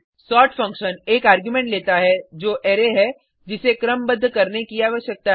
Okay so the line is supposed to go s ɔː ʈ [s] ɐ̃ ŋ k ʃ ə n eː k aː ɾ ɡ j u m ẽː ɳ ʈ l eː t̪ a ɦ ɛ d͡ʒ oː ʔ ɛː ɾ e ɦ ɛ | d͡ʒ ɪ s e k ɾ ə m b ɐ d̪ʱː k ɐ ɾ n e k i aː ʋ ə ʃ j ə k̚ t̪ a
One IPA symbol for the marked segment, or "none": f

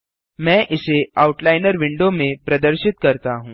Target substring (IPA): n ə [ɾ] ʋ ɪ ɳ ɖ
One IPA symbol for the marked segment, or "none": ɾ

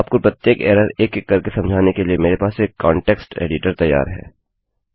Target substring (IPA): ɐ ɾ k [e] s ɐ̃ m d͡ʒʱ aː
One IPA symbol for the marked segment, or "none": e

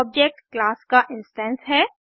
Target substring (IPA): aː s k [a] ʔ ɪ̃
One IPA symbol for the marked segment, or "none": a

